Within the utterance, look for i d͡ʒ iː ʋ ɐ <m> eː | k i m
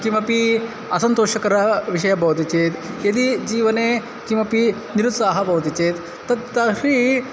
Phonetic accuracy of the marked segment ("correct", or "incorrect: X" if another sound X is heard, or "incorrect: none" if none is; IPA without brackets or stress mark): incorrect: n